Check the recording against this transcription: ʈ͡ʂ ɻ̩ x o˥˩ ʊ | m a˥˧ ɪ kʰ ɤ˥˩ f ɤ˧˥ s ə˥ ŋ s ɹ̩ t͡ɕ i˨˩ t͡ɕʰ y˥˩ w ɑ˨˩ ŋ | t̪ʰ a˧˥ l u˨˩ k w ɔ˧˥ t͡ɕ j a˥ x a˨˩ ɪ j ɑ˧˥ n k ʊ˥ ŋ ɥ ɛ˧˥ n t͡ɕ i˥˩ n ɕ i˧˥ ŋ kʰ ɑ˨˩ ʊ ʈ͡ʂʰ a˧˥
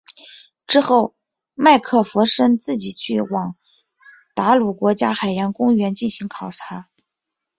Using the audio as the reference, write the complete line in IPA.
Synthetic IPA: ʈ͡ʂ ɻ̩ x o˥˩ ʊ | m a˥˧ ɪ kʰ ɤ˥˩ f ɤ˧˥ ʂ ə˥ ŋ t͡s ɹ̩ t͡ɕ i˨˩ t͡ɕʰ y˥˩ w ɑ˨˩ ŋ | t̪ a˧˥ l u˨˩ k w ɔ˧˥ t͡ɕ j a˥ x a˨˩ ɪ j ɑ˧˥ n k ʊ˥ ŋ ɥ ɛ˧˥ n t͡ɕ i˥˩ n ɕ i˧˥ ŋ kʰ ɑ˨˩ ʊ ʈ͡ʂʰ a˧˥